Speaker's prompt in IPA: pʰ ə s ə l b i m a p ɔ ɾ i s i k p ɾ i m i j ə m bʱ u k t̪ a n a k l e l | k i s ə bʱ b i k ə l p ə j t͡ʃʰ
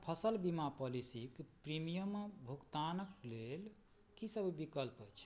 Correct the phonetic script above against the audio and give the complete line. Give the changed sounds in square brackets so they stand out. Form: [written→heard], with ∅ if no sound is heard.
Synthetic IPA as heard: pʰ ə s ə l b i m a p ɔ [ɾ→l] i s i k p ɾ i m i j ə m bʱ u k t̪ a n [a→ə] k l e l | k i s ə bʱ b i k ə l p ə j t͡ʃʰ